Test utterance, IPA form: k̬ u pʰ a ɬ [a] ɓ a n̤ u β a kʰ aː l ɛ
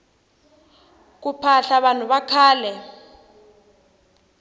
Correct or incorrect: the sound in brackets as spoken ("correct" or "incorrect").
correct